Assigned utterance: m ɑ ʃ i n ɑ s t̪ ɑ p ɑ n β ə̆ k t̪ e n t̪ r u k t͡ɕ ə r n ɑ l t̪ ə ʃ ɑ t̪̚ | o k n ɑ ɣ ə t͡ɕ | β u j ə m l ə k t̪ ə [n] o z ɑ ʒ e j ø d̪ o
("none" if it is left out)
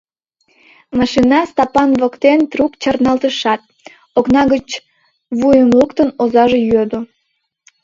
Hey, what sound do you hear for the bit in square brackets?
n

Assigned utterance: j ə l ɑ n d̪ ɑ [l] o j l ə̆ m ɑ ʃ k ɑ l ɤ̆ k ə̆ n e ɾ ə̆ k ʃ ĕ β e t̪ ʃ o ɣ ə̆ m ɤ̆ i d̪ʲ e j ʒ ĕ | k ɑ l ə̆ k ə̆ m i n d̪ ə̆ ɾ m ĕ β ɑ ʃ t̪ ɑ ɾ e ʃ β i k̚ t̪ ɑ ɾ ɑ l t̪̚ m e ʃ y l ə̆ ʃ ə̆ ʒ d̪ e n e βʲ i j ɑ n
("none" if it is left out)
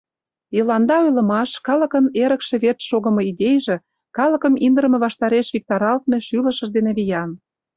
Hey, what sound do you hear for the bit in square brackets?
none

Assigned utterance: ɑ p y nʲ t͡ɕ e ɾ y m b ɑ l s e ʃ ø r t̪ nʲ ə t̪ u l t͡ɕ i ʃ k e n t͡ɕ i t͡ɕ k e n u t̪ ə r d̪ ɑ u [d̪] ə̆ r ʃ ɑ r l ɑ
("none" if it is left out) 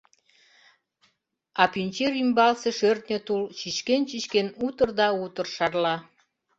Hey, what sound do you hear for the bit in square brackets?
t̪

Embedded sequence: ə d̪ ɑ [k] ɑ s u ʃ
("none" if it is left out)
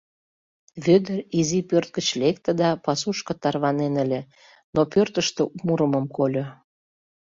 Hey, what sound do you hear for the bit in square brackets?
p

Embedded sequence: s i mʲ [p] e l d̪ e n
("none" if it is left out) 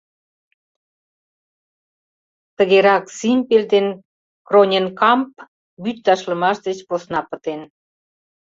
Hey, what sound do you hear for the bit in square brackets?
p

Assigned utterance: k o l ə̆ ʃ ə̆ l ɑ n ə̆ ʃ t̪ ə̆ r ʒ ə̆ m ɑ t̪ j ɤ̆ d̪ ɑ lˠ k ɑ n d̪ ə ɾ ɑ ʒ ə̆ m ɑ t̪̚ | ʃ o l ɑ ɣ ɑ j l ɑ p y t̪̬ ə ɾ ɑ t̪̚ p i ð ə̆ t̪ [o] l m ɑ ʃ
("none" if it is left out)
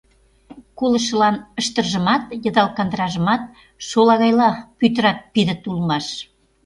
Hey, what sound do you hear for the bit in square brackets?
u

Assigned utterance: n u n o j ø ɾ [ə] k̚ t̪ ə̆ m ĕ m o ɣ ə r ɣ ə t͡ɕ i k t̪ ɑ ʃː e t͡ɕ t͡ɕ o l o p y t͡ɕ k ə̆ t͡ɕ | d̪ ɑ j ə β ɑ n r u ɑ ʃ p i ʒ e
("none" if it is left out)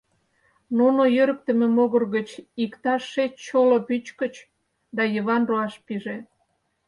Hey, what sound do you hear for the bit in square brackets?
ə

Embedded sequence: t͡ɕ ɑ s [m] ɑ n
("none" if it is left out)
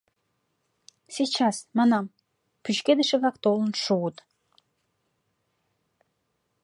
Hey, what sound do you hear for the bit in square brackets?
m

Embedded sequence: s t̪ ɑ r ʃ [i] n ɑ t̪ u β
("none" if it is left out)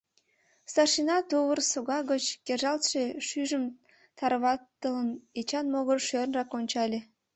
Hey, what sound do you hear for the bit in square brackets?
i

